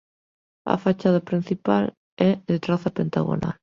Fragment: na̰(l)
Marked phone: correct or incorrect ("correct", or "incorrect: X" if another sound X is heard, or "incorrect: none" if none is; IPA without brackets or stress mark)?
correct